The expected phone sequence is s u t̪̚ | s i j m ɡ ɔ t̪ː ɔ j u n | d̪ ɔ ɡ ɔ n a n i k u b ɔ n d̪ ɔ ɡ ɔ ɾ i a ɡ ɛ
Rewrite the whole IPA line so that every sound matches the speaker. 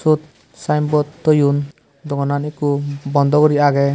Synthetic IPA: s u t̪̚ | s a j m b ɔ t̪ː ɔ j u n | d̪ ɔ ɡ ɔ n a n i k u b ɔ n d̪ ɔ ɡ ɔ ɾ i a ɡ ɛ